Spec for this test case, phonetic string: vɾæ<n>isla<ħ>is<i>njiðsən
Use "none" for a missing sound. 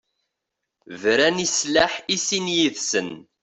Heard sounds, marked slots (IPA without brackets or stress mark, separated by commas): n, ħ, i